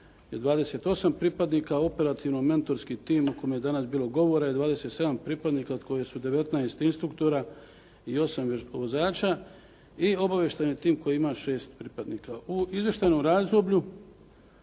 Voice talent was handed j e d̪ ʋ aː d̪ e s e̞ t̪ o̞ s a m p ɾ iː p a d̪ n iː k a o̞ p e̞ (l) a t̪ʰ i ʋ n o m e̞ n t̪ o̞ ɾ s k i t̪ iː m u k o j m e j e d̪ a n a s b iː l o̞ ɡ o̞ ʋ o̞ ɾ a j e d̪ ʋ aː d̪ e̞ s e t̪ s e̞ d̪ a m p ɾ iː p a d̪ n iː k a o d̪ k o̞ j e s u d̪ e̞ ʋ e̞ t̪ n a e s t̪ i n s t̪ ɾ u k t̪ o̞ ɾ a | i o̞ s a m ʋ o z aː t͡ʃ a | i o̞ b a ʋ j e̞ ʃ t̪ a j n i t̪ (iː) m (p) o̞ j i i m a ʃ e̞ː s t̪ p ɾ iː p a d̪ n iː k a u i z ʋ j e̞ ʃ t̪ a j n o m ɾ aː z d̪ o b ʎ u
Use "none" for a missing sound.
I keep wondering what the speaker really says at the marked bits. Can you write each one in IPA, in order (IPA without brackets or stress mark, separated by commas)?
ɾ, iː, k